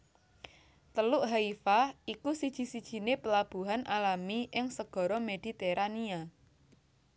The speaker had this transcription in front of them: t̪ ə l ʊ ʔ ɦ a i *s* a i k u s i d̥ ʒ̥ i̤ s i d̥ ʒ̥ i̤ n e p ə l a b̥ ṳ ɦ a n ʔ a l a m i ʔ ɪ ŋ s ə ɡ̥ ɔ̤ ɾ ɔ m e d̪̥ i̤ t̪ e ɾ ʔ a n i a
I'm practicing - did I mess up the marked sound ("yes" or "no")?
yes